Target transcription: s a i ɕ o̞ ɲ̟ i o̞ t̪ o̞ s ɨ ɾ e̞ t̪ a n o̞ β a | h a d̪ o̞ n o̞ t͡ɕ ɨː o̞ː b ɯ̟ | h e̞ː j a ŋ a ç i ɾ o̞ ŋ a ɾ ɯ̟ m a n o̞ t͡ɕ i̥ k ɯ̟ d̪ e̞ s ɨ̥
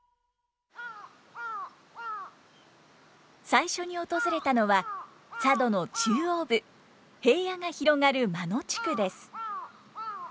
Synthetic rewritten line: s a i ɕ o̞ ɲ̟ i o̞ t̪ o̞ z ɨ ɾ e̞ t̪ a n o̞ β a | s a d̪ o̞ n o̞ t͡ɕ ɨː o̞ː b ɯ̟ | h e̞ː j a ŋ a ç i ɾ o̞ ŋ a ɾ ɯ̟ m a n o̞ t͡ɕ i̥ k ɯ̟ d̪ e̞ s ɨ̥

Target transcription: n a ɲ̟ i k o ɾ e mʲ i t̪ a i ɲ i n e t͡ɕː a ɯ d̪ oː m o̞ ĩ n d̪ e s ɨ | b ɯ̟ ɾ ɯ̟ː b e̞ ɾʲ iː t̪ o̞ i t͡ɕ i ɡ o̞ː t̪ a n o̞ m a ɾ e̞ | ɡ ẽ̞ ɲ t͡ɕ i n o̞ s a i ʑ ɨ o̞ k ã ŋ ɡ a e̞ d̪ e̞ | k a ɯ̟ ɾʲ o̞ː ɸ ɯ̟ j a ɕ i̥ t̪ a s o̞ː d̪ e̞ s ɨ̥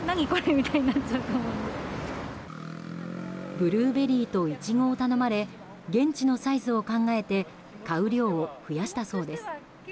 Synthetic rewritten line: n a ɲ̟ i k o ɾ e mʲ i t̪ a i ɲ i n a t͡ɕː a ɯ t̪ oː m o̞ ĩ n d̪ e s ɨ | b ɯ̟ ɾ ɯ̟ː b e̞ ɾʲ iː t̪ o̞ i t͡ɕ i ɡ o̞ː t̪ a n o̞ m a ɾ e̞ | ɡ ẽ̞ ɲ t͡ɕ i n o̞ s a i z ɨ o̞ k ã ŋ ɡ a e̞ t̪ e̞ | k a ɯ̟ ɾʲ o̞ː ɸ ɯ̟ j a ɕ i̥ t̪ a s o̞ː d̪ e̞ s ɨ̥

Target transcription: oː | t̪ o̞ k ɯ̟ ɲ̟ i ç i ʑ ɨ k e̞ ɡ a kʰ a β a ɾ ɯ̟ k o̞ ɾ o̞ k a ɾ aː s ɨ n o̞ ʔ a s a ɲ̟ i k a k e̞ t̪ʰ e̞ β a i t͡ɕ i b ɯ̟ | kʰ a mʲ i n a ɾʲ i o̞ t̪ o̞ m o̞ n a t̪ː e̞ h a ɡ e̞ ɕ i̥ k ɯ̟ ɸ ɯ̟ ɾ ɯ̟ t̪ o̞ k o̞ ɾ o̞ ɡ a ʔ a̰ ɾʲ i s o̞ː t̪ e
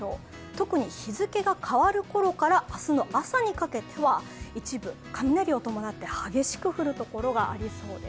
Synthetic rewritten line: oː | t̪ o̞ k ɯ̟ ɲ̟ i ç i z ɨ k e̞ ɡ a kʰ a β a ɾ ɯ̟ k o̞ ɾ o̞ k a ɾ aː s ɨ n o̞ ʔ a s a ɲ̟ i k a k e̞ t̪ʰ e̞ β a i t͡ɕ i b ɯ̟ | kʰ a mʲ i n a ɾʲ i o̞ t̪ o̞ m o̞ n a t̪ː e̞ h a ɡ e̞ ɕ i̥ k ɯ̟ ɸ ɯ̟ ɾ ɯ̟ t̪ o̞ k o̞ ɾ o̞ ɡ a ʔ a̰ ɾʲ i s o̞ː d̪ e

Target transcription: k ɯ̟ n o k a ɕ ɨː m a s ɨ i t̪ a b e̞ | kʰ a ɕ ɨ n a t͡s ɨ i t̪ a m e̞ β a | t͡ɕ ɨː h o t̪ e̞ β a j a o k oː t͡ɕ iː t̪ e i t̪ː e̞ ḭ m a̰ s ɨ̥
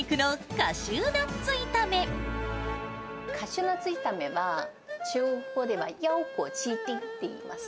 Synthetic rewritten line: k ɯ̟ n o k a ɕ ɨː n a t͡s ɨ i t̪ a m e̞ | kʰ a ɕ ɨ n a t͡s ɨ i t̪ a m e̞ β a | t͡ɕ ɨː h o d̪ e̞ β a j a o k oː t͡ɕ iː t̪ e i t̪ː e̞ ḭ m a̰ s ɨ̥

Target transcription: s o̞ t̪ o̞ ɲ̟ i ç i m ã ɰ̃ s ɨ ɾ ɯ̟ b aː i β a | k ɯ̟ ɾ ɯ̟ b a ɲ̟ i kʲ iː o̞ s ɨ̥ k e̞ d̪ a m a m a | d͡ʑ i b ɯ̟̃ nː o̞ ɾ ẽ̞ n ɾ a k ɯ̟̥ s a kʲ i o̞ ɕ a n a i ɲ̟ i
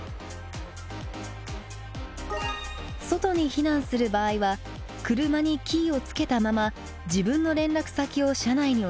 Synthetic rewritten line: s o̞ t̪ o̞ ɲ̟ i ç i n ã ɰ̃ s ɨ ɾ ɯ̟ b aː i β a | k ɯ̟ ɾ ɯ̟ m a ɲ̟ i kʲ iː o̞ t͡s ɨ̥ k e̞ t̪ a m a m a | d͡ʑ i b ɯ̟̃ nː o̞ ɾ ẽ̞ n ɾ a k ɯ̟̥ s a kʲ i o̞ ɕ a n a i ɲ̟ i

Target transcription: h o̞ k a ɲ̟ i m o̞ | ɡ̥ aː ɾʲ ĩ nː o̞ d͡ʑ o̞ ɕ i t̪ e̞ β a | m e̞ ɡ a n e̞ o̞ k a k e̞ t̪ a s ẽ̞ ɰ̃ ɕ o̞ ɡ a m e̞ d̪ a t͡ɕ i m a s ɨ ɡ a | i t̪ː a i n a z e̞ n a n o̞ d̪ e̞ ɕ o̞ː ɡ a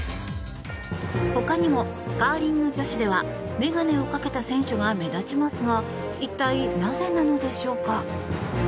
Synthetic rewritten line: h o̞ k a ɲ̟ i m o̞ | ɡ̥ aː ɾʲ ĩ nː o̞ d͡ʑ o̞ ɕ i d̪ e̞ β a | m e̞ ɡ a n e̞ o̞ k a k e̞ t̪ a s ẽ̞ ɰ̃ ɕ o̞ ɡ a m e̞ d̪ a t͡ɕ i m a s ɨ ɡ a | i t̪ː a i n a z e̞ n a n o̞ d̪ e̞ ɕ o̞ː k a

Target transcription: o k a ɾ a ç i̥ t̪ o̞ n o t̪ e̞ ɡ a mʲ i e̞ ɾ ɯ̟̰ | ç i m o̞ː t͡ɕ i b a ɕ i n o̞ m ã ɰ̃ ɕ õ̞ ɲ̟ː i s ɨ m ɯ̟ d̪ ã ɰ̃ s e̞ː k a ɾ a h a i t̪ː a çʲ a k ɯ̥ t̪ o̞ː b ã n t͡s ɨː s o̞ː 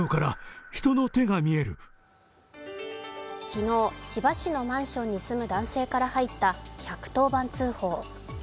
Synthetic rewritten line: o k a ɾ a ç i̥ t̪ o̞ n o t̪ e̞ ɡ a mʲ i e̞ ɾ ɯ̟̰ | ç i n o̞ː t͡ɕ i b a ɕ i n o̞ m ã ɰ̃ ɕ õ̞ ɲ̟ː i s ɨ m ɯ̟ d̪ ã ɰ̃ s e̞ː k a ɾ a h a i t̪ː a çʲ a k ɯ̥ t̪ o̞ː b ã n t͡s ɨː h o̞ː

